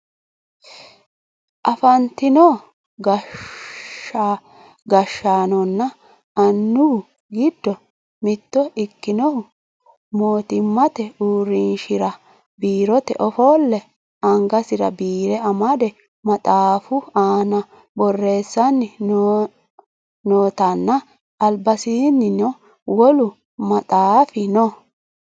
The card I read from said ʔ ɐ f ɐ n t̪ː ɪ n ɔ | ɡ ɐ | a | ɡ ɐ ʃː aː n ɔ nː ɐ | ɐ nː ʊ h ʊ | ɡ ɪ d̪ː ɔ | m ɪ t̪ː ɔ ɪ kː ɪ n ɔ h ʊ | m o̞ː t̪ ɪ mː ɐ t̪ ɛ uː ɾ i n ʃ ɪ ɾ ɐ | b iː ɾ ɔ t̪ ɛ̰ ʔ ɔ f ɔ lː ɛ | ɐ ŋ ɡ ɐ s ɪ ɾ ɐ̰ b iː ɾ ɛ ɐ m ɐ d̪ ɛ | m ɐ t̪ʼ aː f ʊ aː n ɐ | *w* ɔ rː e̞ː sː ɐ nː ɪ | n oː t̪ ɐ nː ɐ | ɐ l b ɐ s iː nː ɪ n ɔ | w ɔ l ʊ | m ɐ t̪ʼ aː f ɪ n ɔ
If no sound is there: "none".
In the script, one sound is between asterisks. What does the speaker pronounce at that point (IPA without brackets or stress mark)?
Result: b